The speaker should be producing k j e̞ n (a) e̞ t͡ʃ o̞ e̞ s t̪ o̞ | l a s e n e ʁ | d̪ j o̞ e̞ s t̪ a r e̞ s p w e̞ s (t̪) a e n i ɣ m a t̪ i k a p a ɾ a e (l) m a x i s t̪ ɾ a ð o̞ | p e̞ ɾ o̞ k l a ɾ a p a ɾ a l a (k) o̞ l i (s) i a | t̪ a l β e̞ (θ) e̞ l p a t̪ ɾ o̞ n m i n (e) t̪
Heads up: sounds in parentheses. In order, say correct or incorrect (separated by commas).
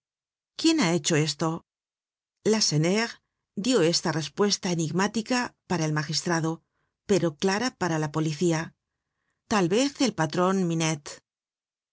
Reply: correct, correct, correct, incorrect, incorrect, correct, correct